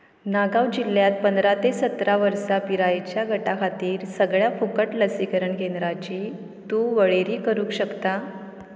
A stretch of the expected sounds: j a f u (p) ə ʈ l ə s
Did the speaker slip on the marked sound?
yes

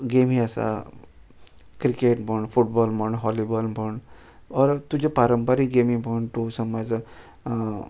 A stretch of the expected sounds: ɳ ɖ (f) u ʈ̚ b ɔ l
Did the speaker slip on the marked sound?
no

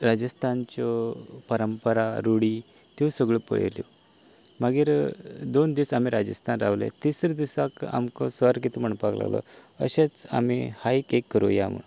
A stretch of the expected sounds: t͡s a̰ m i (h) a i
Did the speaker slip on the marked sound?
no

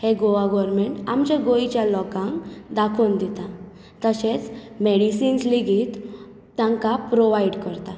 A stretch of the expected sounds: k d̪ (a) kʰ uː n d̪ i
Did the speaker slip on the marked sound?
no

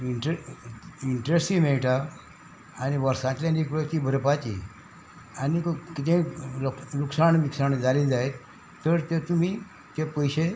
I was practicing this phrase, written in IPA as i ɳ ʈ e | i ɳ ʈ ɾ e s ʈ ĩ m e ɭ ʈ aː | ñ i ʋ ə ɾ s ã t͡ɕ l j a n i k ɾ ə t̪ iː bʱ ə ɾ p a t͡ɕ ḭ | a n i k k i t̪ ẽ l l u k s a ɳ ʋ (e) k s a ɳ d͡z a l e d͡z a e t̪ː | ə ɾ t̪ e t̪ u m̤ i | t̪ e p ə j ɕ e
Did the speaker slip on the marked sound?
yes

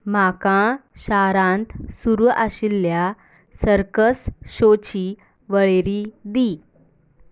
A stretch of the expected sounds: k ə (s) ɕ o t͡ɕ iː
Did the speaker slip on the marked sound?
no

